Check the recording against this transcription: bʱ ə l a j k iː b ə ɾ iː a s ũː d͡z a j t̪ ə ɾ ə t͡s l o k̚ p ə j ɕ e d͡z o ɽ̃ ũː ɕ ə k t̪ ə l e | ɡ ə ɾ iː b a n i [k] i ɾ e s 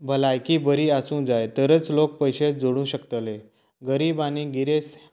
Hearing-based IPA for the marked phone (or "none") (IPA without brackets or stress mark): ɡ